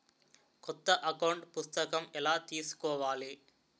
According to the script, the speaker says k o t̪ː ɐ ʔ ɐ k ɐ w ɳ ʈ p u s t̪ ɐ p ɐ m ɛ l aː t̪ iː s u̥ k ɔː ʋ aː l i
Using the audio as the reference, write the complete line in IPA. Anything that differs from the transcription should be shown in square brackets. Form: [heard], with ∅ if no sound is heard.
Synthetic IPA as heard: k [ɔ] t̪ː ɐ ʔ ɐ k ɐ w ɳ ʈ p u s t̪ ɐ [k] ɐ m ɛ l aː t̪ iː s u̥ k ɔː ʋ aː l i